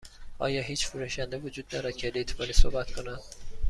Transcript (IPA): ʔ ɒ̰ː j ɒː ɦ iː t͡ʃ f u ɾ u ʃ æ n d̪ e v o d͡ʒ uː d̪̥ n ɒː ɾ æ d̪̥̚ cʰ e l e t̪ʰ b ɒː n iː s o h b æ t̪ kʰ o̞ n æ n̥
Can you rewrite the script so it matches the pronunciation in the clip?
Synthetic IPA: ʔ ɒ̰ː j ɒː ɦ iː t͡ʃ f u ɾ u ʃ æ n d̪ e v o d͡ʒ uː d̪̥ n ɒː ɾ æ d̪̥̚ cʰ e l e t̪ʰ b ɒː n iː s o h b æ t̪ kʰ o̞ n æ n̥